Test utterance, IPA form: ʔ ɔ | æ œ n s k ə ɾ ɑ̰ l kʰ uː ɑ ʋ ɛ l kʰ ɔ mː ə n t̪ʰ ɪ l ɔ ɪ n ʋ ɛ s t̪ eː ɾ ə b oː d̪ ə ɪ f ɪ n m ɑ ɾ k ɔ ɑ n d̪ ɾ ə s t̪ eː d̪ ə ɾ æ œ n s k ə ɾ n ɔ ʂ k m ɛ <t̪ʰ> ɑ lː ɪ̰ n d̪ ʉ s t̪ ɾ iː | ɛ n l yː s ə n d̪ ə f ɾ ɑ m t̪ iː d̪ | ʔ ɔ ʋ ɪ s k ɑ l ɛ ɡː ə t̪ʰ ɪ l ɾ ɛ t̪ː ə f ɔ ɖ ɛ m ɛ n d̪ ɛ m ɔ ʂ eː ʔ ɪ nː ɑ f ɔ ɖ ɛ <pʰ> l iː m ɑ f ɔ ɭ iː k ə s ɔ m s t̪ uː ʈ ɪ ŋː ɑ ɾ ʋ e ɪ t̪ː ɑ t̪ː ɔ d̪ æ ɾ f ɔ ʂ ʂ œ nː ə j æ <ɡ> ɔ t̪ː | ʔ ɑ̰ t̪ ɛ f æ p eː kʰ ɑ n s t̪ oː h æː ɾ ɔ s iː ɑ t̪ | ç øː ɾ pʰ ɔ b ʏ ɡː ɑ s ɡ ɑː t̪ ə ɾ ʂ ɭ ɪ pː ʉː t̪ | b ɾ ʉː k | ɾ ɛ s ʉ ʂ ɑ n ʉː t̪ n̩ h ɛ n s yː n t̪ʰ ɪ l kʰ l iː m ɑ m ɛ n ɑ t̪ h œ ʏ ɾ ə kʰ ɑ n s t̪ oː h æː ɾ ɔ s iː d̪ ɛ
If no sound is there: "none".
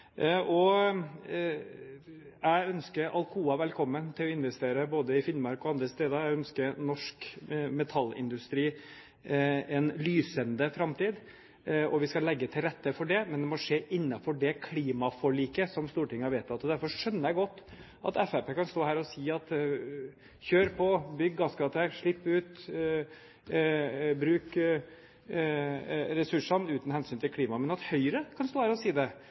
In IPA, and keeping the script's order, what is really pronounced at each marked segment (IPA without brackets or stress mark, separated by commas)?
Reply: t̪ʰ, kʰ, ɡ